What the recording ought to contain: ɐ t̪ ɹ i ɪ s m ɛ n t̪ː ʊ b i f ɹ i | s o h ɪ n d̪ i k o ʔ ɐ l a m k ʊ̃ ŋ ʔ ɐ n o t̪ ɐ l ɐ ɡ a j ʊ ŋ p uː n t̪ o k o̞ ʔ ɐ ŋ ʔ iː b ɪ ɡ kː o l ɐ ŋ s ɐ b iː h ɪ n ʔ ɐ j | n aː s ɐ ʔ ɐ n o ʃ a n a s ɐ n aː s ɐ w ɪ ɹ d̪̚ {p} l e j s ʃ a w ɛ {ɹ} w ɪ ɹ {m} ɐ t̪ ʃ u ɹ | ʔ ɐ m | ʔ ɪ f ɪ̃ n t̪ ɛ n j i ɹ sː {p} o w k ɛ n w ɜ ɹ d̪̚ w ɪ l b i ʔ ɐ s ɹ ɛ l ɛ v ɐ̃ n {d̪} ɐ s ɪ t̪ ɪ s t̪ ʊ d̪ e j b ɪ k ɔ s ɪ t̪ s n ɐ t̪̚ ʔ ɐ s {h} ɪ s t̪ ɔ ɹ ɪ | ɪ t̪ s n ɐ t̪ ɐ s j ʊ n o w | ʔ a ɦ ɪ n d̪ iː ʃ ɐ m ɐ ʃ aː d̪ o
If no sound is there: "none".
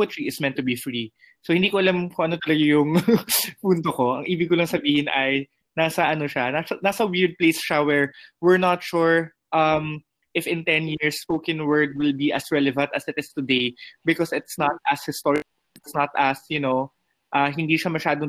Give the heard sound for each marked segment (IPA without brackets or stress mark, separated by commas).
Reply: p, ɹ, n, p, t̪, h